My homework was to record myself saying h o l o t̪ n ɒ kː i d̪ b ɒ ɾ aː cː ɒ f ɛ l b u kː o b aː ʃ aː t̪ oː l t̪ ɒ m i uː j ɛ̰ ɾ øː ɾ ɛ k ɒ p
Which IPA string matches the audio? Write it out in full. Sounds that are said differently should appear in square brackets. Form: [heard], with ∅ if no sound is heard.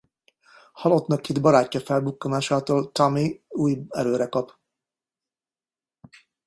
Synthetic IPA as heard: h [ɒ] l o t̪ n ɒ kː i d̪ b ɒ ɾ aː cː ɒ f ɛ l b u kː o [m] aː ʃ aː t̪ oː l t̪ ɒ m i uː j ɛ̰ ɾ øː ɾ ɛ k ɒ p